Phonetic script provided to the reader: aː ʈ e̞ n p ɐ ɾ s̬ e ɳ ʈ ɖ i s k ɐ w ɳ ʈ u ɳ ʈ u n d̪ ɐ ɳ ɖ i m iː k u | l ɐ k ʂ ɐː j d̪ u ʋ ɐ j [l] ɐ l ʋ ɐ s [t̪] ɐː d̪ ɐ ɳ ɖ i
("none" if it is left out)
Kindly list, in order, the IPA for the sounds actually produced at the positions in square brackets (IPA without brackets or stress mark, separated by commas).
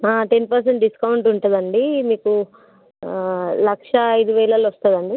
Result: l, t̪